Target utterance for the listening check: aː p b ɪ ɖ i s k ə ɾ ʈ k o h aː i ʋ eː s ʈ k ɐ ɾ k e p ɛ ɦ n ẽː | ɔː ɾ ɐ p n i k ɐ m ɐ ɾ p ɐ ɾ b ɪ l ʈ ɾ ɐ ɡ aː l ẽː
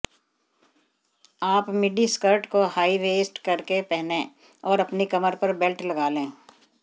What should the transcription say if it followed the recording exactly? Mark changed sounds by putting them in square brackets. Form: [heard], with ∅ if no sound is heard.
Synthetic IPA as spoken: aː p [m] ɪ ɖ i s k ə ɾ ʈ k o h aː i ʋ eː s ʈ k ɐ ɾ k e p ɛ ɦ n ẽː | ɔː ɾ ɐ p n i k ɐ m [ə] ɾ p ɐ ɾ b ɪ l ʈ [l] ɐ ɡ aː l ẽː